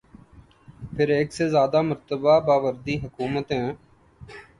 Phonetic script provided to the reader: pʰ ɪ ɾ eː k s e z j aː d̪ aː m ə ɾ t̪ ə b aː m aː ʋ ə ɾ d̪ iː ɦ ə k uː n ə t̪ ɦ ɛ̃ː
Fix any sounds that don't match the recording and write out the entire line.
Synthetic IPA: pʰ ɪ ɾ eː k s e z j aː d̪ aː m ə ɾ t̪ ə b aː b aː ʋ ə ɾ d̪ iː ɦ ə k uː m ə t̪ ɦ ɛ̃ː